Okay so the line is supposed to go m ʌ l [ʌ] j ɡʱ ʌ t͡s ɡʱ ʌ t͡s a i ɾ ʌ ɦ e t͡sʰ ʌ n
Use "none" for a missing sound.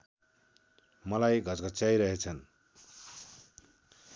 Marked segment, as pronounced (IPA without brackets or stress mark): a